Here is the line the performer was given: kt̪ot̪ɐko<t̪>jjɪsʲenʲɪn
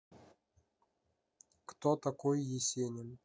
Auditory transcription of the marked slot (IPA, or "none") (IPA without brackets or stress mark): none